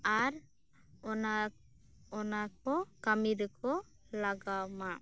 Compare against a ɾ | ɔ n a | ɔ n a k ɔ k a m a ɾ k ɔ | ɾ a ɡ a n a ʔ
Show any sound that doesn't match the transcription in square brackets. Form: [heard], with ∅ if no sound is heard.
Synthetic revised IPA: a ɾ | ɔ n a | ɔ n a k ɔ k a m [i] ɾ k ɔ | [l] a ɡ a [m] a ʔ